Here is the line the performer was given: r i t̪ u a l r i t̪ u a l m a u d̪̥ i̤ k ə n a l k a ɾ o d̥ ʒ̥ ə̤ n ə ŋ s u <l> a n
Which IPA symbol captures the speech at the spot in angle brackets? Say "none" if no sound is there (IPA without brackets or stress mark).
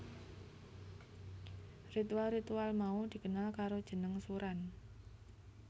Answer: ɾ